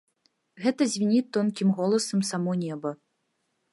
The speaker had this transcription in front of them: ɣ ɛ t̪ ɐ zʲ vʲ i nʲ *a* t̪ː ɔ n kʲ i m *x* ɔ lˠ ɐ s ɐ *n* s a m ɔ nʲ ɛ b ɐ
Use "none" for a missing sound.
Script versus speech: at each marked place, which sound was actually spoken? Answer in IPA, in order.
i, ɣ, m

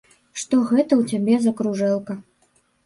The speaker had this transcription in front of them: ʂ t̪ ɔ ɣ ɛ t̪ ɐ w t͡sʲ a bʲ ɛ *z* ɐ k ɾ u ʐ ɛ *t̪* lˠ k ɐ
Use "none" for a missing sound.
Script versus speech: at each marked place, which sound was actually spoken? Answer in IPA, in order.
z, none

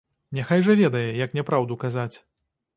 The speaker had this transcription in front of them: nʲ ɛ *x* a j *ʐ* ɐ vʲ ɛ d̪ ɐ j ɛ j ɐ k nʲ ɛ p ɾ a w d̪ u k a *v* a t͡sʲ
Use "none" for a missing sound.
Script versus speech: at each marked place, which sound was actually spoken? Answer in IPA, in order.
x, ʐ, z

